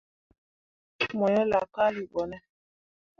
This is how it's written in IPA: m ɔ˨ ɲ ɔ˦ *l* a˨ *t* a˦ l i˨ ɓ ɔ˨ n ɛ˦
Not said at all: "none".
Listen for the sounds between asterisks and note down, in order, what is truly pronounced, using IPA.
l, k

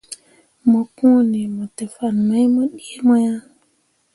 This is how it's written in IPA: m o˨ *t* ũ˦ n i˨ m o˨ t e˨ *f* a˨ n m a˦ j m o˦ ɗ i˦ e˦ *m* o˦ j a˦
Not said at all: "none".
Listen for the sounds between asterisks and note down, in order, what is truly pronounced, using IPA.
k, f, m

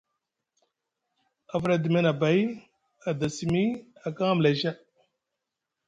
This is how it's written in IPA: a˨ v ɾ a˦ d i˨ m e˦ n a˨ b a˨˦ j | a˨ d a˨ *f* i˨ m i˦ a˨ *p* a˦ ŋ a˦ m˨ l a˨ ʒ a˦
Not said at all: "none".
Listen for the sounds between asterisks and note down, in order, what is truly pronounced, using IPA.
s, k

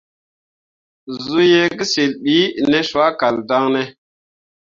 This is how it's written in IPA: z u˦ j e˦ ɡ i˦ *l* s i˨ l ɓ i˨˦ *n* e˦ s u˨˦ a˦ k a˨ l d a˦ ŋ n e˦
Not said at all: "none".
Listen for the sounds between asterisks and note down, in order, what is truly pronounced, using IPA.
none, n

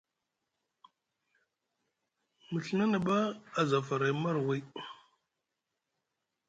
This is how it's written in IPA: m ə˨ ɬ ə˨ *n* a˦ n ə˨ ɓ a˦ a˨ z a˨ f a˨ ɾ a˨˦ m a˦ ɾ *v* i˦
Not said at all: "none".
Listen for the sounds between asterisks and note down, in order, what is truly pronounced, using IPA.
n, w

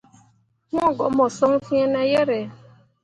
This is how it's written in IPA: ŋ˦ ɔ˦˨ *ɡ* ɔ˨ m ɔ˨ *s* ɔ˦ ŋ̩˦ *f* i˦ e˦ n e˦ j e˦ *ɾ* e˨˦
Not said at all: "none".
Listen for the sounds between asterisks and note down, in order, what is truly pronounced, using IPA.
ɡ, s, f, ɾ

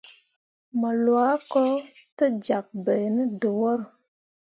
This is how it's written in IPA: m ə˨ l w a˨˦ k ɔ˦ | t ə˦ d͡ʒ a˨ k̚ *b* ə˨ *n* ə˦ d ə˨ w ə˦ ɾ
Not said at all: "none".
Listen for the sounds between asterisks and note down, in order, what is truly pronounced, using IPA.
b, n

